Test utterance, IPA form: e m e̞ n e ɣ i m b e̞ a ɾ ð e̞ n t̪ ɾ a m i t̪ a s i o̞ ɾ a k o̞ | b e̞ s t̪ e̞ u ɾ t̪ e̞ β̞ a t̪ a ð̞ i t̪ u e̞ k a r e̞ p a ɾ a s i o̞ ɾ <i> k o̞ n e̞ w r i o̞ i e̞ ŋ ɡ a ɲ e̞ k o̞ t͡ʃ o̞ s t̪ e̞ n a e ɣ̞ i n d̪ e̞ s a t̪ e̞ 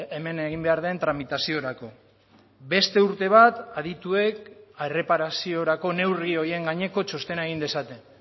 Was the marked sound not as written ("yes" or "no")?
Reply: yes